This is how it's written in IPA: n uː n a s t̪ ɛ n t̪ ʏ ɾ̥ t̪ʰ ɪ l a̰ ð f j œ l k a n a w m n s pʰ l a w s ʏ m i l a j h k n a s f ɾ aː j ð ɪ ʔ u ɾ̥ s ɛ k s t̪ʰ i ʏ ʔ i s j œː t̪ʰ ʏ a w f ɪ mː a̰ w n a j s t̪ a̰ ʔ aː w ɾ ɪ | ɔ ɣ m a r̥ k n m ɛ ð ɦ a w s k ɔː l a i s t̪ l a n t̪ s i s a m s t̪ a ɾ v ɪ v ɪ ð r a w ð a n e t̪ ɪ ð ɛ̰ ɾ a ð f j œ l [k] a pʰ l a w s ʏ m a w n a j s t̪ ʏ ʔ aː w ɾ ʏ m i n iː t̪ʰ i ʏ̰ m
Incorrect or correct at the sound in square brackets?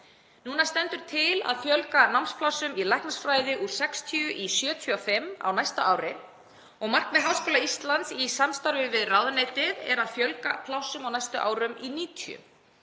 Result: correct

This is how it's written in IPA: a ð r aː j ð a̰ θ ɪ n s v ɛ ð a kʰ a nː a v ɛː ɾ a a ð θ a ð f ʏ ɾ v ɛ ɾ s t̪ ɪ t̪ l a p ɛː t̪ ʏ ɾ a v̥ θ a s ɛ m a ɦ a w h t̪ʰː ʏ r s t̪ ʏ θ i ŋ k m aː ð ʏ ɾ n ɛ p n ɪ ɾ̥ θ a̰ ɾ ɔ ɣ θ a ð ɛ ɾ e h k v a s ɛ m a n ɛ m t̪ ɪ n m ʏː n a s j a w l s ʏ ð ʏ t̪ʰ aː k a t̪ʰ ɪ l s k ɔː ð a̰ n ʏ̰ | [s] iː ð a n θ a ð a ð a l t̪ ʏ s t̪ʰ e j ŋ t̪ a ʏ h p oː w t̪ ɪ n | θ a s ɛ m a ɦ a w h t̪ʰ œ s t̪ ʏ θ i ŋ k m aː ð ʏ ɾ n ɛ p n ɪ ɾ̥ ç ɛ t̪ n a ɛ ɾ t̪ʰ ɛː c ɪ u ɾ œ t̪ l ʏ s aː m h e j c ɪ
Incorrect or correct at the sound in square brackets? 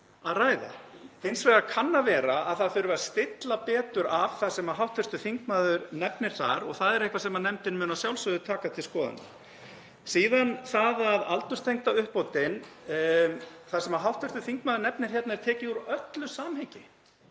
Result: correct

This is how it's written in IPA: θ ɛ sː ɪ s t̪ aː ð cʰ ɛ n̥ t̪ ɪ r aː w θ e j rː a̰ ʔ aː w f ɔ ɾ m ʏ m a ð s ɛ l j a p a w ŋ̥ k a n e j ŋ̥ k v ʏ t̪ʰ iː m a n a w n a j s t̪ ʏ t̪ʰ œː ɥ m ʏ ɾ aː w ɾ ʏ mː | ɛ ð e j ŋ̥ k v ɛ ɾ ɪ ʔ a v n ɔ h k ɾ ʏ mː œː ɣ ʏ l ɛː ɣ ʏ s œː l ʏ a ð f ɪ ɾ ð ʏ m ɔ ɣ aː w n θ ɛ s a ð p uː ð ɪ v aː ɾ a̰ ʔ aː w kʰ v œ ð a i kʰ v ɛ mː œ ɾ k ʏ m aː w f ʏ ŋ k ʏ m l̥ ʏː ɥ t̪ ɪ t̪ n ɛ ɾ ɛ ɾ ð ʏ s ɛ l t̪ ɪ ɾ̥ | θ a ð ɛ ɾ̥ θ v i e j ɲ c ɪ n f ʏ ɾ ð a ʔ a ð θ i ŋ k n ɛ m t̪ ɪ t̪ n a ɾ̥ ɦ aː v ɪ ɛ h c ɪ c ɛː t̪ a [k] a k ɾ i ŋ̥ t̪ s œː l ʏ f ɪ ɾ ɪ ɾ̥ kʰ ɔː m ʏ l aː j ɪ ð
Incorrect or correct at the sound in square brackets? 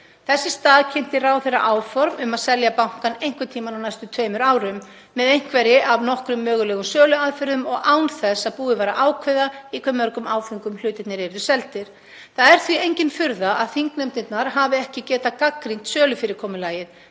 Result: correct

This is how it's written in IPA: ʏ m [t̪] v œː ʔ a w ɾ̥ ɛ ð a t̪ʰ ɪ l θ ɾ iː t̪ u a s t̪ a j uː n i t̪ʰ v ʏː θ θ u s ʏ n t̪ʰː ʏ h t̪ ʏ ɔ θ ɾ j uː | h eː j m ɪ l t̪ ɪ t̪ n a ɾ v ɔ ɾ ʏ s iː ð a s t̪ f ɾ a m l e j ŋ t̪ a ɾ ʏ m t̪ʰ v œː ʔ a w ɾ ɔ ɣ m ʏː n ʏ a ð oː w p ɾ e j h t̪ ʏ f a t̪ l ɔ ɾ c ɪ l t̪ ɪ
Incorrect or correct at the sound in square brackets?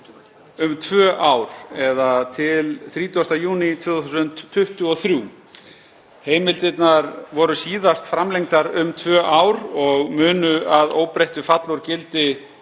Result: incorrect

